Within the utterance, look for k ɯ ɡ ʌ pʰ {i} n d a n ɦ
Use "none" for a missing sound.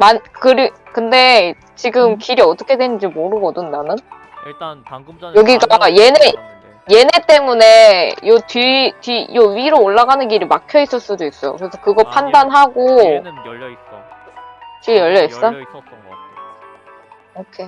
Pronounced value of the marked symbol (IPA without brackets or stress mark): a